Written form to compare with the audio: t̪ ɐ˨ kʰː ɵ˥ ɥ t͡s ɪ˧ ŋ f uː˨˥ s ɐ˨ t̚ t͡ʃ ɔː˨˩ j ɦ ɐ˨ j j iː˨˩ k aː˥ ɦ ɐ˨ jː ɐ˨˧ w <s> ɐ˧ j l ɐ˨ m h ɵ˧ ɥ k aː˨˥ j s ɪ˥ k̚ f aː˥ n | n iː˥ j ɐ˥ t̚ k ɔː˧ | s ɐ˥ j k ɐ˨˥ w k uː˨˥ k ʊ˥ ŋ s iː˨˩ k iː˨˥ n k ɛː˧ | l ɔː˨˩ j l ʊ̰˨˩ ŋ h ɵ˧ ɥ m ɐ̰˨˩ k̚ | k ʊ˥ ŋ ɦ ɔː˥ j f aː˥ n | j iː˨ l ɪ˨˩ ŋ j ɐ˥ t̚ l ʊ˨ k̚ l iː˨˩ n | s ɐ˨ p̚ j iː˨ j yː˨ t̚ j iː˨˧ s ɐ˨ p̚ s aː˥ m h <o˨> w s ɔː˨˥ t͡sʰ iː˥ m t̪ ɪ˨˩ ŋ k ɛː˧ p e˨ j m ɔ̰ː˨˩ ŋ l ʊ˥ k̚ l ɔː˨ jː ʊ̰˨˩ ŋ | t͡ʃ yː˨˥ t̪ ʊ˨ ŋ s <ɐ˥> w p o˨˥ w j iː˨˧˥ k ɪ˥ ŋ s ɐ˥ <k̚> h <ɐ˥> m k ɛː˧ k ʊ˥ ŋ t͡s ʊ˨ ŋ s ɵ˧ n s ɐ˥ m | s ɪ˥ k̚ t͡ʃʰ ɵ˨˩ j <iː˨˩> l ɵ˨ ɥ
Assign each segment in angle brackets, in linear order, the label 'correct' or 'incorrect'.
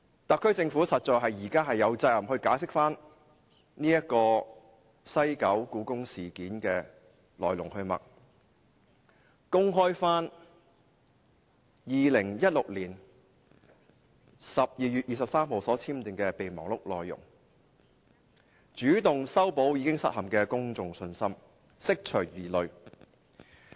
incorrect, correct, correct, incorrect, incorrect, correct

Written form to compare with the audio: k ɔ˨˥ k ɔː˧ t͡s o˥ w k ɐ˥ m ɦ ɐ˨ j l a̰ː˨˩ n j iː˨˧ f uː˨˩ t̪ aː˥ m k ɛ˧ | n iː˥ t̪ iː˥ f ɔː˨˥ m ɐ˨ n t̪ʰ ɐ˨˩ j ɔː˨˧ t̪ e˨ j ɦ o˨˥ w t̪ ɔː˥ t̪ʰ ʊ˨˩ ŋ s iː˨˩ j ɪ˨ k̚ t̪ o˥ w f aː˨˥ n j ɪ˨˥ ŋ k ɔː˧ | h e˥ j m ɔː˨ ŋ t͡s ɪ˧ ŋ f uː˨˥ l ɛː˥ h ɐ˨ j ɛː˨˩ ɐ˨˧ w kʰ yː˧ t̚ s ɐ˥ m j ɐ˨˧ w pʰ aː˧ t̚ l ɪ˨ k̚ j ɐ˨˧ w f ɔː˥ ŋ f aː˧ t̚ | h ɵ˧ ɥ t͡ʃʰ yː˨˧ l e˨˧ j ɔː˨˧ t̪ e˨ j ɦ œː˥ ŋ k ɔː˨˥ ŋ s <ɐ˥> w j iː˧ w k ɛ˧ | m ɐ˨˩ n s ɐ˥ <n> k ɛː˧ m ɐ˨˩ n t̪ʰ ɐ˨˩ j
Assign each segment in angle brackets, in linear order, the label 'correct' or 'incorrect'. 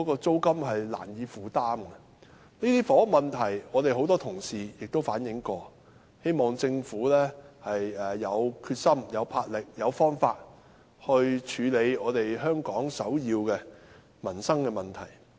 incorrect, incorrect

